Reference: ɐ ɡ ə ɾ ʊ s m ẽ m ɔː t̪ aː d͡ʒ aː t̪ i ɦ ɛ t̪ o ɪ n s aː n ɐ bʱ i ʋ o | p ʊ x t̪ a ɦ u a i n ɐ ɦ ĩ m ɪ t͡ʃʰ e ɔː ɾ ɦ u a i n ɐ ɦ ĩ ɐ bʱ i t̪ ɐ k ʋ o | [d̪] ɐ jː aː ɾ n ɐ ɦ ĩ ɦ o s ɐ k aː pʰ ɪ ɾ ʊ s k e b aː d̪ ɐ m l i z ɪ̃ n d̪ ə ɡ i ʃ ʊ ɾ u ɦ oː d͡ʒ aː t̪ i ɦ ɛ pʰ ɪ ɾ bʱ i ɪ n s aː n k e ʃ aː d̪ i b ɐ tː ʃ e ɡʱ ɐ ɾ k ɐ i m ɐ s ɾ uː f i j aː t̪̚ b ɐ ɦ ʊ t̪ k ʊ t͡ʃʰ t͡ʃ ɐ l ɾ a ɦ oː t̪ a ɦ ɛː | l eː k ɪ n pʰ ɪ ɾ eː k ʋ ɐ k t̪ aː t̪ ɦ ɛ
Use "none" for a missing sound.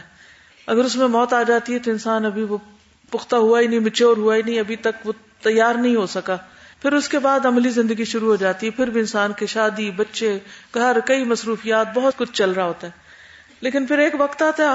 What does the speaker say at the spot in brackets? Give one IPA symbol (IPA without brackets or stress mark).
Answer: t̪